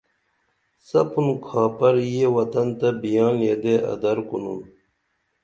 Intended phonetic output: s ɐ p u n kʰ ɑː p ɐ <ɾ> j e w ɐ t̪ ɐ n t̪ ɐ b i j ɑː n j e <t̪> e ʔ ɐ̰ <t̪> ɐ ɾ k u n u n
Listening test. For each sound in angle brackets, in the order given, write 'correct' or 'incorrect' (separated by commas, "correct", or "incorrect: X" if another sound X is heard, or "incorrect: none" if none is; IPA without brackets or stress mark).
correct, incorrect: d̪, incorrect: d̪